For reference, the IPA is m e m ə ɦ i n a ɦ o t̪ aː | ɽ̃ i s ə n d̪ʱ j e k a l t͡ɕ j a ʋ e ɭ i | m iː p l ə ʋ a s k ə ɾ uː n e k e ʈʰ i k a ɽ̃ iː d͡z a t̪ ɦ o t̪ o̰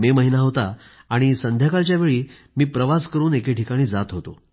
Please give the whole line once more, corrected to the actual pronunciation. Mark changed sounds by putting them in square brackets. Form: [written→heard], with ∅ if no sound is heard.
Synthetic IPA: m e m ə ɦ i n a ɦ o t̪ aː | ɽ̃ i s ə n d̪ʱ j [e→a] k a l t͡ɕ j a ʋ e ɭ [i→iː] | m iː p [l→ɾ] ə ʋ a s k ə ɾ uː n e k e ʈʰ i k a ɽ̃ iː d͡z a t̪ ɦ o t̪ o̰